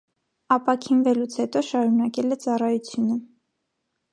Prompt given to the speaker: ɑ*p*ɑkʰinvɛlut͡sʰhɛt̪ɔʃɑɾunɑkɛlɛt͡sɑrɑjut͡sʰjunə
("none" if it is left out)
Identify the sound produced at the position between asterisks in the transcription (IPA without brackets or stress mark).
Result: p